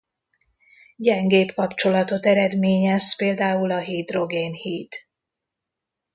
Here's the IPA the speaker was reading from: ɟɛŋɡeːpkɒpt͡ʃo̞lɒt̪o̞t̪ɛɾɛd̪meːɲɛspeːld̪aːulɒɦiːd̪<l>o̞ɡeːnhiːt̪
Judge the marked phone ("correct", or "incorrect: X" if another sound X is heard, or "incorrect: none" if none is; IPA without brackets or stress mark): incorrect: r